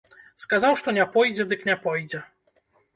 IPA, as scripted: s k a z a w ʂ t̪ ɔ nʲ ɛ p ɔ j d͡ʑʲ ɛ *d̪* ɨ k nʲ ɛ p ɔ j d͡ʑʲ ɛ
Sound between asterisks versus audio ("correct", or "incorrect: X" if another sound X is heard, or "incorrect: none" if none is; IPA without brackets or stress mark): correct